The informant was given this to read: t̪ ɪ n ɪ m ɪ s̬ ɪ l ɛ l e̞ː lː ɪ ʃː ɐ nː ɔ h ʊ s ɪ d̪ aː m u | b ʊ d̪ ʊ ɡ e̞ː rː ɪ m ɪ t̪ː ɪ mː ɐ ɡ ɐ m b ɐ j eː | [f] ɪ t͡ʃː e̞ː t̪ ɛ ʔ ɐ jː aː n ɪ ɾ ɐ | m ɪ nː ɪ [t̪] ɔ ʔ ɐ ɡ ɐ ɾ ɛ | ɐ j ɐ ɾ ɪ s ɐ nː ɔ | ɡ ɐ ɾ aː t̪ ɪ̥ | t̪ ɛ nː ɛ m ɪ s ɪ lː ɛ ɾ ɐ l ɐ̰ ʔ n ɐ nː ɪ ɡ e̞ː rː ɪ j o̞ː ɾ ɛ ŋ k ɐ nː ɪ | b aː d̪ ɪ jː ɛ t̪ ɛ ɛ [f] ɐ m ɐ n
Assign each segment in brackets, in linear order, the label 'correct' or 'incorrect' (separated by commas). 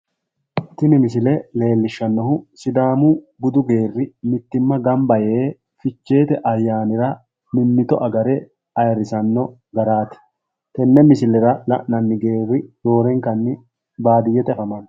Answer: correct, correct, correct